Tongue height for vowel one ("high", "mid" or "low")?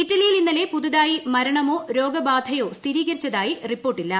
high